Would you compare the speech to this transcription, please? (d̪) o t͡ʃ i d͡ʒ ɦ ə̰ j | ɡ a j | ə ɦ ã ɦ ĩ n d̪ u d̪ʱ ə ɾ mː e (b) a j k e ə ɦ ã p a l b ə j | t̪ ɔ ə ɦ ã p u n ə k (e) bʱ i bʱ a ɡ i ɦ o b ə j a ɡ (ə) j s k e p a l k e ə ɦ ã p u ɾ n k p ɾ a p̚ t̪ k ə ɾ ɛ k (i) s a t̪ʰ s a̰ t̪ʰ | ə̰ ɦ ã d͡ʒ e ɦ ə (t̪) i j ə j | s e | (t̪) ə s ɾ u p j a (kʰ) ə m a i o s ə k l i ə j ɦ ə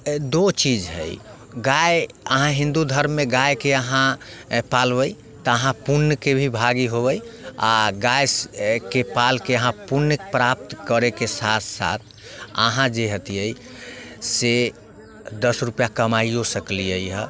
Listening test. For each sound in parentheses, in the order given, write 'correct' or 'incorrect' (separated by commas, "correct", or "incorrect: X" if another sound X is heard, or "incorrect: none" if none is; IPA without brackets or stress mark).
correct, incorrect: ɡ, correct, incorrect: a, incorrect: e, correct, incorrect: d̪, incorrect: k